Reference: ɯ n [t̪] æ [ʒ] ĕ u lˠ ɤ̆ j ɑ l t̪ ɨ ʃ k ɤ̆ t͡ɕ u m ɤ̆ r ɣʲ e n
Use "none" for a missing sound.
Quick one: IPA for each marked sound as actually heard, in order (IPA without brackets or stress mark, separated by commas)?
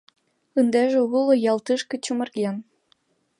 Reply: d̪, ʒ